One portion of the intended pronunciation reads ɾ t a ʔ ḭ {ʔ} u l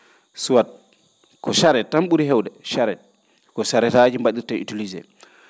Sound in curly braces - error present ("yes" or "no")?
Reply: yes